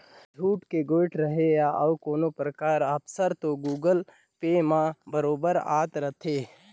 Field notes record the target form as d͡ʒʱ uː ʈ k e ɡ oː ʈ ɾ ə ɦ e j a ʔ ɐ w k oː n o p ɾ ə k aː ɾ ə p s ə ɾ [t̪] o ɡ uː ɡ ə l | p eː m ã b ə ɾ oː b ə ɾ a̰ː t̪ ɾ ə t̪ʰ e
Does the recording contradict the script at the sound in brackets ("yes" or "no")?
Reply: no